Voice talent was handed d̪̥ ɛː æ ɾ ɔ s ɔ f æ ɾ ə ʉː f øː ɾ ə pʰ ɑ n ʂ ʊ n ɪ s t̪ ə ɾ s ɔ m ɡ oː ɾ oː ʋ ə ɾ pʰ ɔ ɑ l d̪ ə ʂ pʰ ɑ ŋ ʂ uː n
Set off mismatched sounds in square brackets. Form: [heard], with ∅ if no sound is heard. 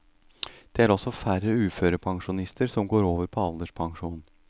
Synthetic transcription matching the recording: d̪̥ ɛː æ ɾ ɔ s ɔ f æ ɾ ə ʉː f øː ɾ ə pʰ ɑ [ŋ] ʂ ʊ n ɪ s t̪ ə ɾ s ɔ m ɡ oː ɾ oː ʋ ə ɾ pʰ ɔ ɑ l d̪ ə ʂ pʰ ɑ ŋ ʂ uː n